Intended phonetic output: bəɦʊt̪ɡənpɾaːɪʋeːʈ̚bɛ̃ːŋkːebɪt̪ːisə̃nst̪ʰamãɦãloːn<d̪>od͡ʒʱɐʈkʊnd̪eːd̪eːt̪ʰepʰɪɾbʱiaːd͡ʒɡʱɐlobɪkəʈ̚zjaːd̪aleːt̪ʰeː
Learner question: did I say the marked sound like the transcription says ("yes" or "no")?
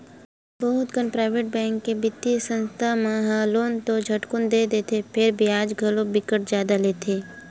no